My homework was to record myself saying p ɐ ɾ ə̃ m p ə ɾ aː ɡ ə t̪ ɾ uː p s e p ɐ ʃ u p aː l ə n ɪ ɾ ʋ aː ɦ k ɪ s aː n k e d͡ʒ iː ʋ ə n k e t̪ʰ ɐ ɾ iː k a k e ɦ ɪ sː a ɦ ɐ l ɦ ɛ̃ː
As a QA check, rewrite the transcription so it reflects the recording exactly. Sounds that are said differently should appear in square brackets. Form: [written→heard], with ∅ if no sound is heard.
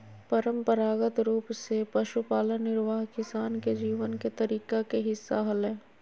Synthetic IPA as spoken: p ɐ ɾ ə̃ m p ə ɾ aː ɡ ə t̪ ɾ uː p s e p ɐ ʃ u p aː l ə n ɪ ɾ ʋ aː ɦ k ɪ s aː n k e d͡ʒ iː ʋ ə n k e [t̪ʰ→t̪] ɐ ɾ iː k a k e ɦ ɪ sː a ɦ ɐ l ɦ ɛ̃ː

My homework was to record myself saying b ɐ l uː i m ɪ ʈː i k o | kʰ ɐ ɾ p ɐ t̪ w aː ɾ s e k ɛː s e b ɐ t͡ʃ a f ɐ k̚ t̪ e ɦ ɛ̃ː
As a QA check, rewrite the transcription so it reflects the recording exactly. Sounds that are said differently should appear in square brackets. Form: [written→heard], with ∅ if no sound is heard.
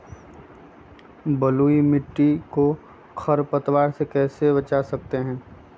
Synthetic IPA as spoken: b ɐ l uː i m ɪ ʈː i k o | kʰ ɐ ɾ p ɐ t̪ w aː ɾ s e k ɛː s e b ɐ t͡ʃ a [f→s] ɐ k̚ t̪ e ɦ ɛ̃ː

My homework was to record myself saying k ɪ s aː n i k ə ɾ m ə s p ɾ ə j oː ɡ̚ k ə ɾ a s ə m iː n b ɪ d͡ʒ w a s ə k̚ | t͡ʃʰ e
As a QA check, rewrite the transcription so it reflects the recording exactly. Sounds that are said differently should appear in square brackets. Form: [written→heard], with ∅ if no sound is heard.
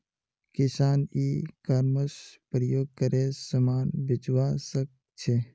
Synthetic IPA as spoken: k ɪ s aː n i k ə ɾ m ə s p ɾ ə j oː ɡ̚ k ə ɾ [a→e] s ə m [iː→aː] n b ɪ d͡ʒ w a s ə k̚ | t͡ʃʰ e

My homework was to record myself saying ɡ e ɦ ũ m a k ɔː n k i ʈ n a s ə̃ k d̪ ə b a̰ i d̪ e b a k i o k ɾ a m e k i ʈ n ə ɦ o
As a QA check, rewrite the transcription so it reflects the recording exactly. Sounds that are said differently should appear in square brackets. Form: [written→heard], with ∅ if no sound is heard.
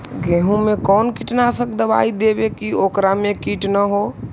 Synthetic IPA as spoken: ɡ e ɦ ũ m [a→e] k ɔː n k i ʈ n a s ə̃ k d̪ ə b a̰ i d̪ e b [a→e] k i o k ɾ a m e k i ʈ n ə ɦ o

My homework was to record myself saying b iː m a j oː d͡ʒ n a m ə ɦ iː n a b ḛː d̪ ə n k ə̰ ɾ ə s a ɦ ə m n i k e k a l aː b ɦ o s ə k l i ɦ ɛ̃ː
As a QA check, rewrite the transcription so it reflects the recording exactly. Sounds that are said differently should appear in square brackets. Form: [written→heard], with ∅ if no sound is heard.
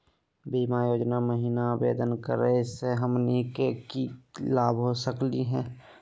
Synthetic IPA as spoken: b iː m a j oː d͡ʒ n a m ə ɦ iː n a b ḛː d̪ ə n k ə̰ ɾ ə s [a→e] ɦ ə m n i k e k [a→i] l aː b ɦ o s ə k l i ɦ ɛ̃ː

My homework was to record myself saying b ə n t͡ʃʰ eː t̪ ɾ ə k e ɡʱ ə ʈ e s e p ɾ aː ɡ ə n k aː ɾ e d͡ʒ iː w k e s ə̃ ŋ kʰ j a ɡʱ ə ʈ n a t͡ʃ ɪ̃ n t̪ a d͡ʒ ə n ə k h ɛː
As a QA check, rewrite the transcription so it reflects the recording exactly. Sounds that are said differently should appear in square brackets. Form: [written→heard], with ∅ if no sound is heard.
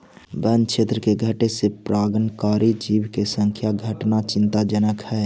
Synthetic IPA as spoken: b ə n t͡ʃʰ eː t̪ ɾ ə k e ɡʱ ə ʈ e s e p ɾ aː ɡ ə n k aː ɾ [e→i] d͡ʒ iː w k e s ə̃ ŋ kʰ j a ɡʱ ə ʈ n a t͡ʃ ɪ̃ n t̪ a d͡ʒ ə n ə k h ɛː

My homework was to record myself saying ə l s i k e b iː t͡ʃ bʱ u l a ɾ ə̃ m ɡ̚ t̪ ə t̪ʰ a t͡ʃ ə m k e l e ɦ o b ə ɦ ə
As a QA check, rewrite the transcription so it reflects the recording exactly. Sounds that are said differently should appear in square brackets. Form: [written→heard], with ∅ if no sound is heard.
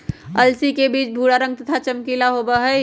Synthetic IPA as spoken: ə l s i k e b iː t͡ʃ bʱ u [l→ɽ] a ɾ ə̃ [m→ŋ] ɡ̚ t̪ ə t̪ʰ a t͡ʃ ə m k [e→i] l [e→a] ɦ o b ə ɦ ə

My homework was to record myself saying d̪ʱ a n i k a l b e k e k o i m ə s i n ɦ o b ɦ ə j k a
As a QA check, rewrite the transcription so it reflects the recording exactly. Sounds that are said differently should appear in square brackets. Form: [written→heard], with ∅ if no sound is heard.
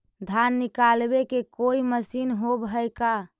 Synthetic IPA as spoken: d̪ʱ a [n→nː] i k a l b e k e k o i m ə s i n ɦ o b ɦ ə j k a

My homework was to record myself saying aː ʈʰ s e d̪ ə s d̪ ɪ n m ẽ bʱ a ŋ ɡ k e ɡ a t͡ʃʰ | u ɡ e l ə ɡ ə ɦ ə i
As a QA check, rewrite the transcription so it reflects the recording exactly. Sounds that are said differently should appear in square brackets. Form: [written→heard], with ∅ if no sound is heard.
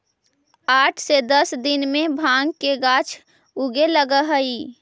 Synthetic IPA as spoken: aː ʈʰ s e d̪ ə s d̪ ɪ n m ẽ bʱ a ŋ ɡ k e ɡ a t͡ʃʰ | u ɡ e l ə ɡ ə ɦ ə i

